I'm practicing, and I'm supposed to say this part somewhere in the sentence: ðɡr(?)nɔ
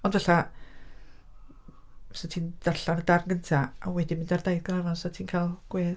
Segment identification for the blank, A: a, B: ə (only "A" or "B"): A